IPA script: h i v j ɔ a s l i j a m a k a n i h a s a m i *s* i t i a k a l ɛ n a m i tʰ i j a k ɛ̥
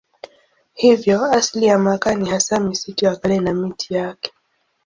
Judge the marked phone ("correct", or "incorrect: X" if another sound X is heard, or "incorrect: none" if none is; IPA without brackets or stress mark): correct